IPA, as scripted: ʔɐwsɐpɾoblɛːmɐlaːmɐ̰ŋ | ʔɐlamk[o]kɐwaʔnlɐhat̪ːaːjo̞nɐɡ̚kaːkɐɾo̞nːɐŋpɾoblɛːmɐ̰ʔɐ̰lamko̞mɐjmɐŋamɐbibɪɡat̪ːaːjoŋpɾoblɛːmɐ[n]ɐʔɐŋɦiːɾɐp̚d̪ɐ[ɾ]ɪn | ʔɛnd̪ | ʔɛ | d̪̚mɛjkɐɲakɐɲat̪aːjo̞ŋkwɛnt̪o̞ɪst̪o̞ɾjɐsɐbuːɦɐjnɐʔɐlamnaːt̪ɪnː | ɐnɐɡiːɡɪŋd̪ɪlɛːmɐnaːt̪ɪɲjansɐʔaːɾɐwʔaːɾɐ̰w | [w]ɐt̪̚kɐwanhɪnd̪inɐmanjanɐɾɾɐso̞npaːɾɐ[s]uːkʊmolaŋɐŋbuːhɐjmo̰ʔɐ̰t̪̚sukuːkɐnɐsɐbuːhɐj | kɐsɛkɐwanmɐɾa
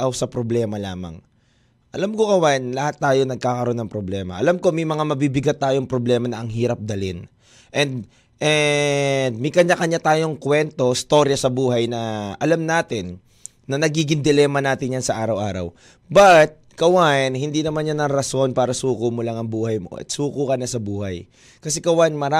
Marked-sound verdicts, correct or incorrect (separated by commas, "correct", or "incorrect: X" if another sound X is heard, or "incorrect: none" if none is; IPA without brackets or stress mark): correct, correct, incorrect: l, incorrect: b, correct